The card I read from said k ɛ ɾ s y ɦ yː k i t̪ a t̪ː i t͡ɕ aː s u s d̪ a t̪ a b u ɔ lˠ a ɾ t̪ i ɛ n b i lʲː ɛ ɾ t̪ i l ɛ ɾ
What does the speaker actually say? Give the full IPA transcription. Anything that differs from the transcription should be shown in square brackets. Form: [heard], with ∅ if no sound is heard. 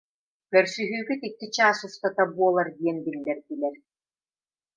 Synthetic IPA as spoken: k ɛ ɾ s y ɦ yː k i t̪ [i] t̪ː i t͡ɕ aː s u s [t̪] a t̪ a b u ɔ lˠ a ɾ [d̪] i ɛ n b i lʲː ɛ ɾ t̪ i l ɛ ɾ